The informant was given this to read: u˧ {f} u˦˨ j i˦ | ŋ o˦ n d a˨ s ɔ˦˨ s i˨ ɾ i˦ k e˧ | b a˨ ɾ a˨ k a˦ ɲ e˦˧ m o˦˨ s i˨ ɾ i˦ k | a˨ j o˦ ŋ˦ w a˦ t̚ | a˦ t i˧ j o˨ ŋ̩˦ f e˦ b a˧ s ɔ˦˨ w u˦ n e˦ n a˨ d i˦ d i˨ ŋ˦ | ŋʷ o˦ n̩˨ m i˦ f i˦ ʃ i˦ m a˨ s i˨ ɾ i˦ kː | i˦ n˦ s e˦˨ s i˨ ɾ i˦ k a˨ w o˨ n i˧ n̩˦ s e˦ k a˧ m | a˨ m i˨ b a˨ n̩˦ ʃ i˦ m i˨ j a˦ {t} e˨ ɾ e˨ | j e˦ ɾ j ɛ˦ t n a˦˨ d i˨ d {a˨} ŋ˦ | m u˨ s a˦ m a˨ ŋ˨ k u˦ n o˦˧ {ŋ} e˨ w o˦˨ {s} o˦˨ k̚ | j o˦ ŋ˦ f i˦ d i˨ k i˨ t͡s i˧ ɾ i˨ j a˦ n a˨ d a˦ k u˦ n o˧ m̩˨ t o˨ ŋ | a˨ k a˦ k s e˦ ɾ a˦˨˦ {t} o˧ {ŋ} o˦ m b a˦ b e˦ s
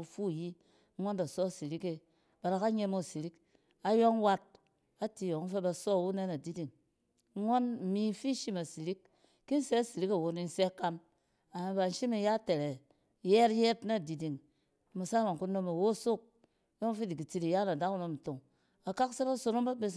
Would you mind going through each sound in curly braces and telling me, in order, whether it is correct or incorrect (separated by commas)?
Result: correct, correct, incorrect, incorrect, correct, incorrect, incorrect